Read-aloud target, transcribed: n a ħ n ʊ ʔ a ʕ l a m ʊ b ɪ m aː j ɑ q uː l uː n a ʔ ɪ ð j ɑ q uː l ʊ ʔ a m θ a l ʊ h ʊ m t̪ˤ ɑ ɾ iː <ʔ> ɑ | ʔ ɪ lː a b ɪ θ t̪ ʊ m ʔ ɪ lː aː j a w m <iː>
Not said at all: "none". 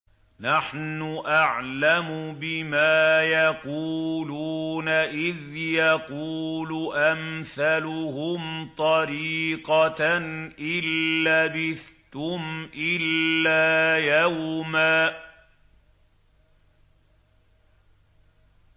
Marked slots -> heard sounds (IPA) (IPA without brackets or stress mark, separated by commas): q, aː